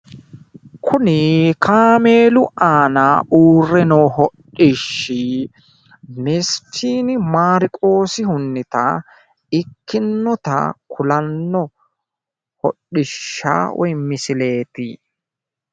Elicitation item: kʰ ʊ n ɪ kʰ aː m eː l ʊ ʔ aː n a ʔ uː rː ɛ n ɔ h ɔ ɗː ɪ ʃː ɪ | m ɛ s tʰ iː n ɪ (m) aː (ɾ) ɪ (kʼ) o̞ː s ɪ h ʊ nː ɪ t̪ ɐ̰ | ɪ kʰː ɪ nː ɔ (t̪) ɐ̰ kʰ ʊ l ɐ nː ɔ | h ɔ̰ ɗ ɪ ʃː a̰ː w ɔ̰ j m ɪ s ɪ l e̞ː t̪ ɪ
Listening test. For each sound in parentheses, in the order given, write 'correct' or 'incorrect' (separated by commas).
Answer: correct, correct, correct, correct